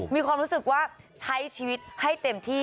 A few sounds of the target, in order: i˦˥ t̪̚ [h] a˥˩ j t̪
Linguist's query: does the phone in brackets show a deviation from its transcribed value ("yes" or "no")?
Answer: no